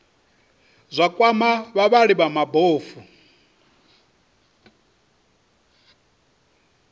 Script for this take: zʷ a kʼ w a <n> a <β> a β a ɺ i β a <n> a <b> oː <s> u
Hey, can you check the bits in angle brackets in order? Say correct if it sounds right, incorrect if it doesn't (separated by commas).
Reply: incorrect, correct, incorrect, correct, incorrect